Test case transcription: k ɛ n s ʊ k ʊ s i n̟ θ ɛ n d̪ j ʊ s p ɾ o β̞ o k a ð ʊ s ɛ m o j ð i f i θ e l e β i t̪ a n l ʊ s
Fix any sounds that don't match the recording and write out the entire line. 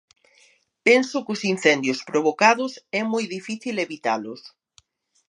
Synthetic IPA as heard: p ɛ n s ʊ k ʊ s i n̟ θ ɛ n d̪ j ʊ s p ɾ o β̞ o k a ð ʊ s ɛ m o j ð i f i θ i l e β i t̪ a l ʊ s